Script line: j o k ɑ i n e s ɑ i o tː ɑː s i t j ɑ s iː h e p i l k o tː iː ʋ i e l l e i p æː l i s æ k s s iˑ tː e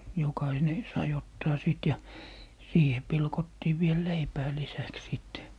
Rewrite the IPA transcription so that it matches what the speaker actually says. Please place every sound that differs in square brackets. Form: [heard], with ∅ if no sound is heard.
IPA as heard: j o k ɑ i n e s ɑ i o tː ɑː s i t j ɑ s iː h e p i l k o tː iː ʋ i e l l e i p æː l i s æ k s s iˑ tː e